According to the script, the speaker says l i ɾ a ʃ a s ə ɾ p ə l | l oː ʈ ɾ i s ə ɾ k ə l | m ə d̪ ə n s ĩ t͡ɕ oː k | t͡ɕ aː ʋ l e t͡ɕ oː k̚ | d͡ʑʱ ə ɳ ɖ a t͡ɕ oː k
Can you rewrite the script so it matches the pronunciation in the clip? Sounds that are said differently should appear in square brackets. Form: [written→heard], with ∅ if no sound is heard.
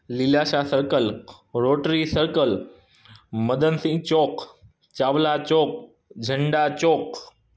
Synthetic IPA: l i [ɾ→l] a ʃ a s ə ɾ [p→k] ə l | [l→ɾ] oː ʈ ɾ i s ə ɾ k ə l | m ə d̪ ə n s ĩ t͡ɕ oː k | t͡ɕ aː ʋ l [e→a] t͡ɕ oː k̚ | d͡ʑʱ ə ɳ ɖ a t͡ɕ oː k